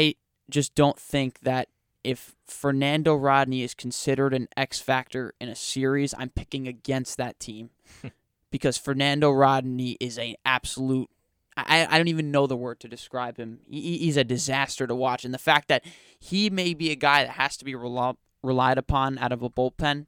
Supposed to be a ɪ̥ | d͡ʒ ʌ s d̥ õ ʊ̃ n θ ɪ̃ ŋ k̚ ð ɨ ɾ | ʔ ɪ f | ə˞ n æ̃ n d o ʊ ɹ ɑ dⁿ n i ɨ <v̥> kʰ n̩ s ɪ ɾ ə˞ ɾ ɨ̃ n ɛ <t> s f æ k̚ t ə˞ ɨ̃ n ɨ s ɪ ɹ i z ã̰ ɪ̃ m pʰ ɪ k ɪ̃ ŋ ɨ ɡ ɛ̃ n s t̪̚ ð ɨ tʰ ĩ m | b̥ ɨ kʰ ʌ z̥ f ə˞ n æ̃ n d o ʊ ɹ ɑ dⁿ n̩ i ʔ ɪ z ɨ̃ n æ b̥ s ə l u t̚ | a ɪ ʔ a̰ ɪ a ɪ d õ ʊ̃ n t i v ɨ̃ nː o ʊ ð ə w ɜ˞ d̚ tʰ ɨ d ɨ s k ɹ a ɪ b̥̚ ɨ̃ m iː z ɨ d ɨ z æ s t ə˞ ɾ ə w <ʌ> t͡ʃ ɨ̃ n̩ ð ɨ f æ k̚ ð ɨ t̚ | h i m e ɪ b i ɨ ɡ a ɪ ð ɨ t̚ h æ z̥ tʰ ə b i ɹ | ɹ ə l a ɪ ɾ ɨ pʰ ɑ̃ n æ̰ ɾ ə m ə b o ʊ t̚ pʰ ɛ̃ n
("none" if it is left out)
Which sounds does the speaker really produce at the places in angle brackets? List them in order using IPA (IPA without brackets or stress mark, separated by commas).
z̥, k, ɑ